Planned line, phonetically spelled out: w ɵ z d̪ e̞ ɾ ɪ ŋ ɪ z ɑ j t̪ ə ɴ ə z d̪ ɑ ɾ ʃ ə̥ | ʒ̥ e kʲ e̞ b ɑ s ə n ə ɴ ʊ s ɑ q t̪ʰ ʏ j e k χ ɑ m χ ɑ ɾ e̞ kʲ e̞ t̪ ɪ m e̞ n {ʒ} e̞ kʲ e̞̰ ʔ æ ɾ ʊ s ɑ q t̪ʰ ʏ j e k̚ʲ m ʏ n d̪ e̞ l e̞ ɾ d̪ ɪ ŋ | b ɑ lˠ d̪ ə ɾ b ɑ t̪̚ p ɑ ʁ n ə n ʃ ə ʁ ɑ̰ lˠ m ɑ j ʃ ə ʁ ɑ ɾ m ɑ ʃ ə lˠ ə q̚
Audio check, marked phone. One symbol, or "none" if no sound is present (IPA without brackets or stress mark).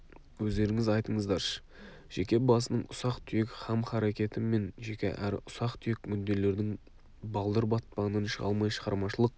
ʒ